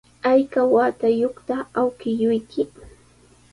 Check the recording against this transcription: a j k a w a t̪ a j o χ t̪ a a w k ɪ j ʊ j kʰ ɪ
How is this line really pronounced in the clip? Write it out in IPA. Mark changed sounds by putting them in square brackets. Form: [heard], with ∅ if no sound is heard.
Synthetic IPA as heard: a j k a w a t̪ a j o χ t̪ a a w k ɪ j ʊ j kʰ ɪ